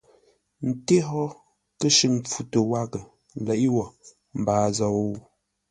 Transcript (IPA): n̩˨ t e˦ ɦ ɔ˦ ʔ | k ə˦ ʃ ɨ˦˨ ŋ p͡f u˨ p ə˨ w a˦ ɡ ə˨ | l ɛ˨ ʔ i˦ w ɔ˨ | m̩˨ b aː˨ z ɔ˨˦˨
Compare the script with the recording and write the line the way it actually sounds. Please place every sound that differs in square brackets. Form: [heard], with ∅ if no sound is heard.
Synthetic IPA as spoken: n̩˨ t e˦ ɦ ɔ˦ [∅] | k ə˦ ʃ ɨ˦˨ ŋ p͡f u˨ [t] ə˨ w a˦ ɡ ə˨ | l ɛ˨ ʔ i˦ w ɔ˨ | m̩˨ b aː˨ z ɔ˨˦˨